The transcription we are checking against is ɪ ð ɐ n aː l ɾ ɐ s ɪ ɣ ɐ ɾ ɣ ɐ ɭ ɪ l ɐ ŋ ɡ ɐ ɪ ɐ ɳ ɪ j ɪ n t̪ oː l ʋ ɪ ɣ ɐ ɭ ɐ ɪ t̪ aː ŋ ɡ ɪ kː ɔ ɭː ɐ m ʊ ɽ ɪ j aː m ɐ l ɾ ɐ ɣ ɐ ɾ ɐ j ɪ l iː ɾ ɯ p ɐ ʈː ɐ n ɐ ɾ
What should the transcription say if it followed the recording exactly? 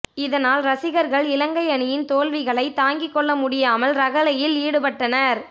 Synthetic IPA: ɪ ð ɐ n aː l ɾ ɐ s ɪ ɣ ɐ ɾ ɣ ɐ ɭ ɪ l ɐ ŋ ɡ ɐ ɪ ɐ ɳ ɪ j ɪ n t̪ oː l ʋ ɪ ɣ ɐ ɭ ɐ ɪ t̪ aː ŋ ɡ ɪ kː ɔ ɭː ɐ m ʊ ɽ ɪ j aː m ɐ l ɾ ɐ ɣ ɐ l ɐ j ɪ l iː ɽ ɯ p ɐ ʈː ɐ n ɐ ɾ